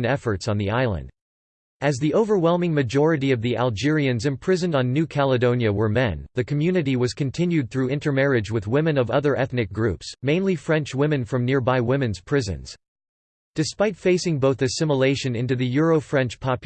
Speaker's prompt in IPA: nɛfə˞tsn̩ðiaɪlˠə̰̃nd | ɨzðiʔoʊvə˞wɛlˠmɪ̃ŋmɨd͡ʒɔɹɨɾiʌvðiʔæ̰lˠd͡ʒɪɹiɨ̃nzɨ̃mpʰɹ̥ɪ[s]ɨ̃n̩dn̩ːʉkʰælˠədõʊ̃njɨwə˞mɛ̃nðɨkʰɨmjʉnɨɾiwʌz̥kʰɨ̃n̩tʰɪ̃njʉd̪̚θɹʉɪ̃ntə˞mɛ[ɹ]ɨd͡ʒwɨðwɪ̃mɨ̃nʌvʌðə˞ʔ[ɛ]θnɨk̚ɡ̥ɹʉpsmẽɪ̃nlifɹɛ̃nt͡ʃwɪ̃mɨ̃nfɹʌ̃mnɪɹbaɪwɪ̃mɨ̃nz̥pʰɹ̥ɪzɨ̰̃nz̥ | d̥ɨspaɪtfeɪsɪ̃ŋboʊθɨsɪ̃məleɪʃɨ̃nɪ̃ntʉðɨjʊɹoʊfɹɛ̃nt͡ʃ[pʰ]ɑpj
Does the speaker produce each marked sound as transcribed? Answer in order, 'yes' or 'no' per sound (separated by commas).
no, yes, yes, yes